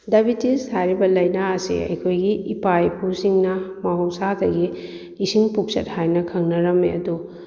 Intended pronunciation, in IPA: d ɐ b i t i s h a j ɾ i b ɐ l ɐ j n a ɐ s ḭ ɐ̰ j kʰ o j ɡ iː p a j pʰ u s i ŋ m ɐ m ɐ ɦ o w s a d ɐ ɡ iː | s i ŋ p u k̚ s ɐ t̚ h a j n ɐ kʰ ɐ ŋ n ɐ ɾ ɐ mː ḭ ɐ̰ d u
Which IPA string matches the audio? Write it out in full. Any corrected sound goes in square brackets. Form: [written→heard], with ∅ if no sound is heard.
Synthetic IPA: d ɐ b i t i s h a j ɾ i b ɐ l ɐ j n a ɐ s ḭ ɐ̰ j kʰ o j ɡ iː p a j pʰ u s i ŋ [m→n] ɐ m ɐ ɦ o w s a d ɐ ɡ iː | s i ŋ p u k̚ s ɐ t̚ h a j n ɐ kʰ ɐ ŋ n ɐ ɾ ɐ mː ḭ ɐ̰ d u